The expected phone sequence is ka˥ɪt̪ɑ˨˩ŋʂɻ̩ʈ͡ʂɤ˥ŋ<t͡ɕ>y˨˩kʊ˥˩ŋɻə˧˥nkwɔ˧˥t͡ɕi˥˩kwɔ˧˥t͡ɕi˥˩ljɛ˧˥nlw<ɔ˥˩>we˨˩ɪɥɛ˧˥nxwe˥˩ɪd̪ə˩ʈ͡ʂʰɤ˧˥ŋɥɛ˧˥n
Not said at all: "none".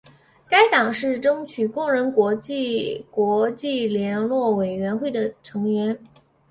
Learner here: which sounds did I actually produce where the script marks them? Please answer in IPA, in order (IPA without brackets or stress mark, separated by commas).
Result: t͡ɕʰ, ɔ˥˩